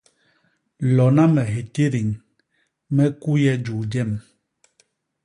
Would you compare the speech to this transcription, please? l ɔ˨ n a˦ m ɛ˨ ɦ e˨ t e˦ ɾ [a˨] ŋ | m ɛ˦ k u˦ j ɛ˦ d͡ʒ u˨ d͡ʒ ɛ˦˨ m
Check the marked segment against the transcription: incorrect: i˨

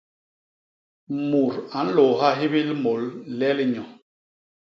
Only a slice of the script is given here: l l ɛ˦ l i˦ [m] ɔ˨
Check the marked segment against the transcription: incorrect: ɲ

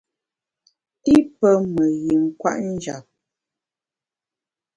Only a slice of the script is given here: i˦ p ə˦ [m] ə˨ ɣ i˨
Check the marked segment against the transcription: correct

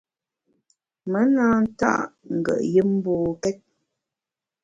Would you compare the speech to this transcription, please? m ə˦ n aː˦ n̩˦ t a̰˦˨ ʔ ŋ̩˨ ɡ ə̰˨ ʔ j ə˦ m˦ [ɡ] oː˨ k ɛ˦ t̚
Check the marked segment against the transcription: incorrect: b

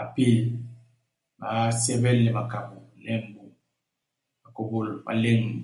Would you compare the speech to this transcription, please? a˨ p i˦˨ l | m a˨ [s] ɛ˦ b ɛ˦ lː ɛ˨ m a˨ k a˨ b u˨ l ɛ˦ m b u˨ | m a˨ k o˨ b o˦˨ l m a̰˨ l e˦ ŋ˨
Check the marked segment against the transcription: correct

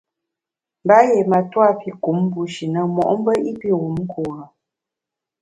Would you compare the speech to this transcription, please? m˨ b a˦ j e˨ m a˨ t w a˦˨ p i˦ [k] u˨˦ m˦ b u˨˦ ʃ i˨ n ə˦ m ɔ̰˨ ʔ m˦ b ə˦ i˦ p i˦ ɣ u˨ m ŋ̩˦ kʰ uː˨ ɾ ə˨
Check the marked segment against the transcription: correct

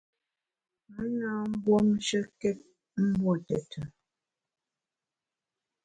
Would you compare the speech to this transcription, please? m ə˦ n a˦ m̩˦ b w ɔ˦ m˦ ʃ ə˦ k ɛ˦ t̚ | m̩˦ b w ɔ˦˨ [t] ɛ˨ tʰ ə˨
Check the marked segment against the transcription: correct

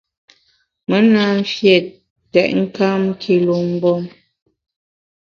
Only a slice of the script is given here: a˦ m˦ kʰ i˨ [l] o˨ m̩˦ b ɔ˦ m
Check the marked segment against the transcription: correct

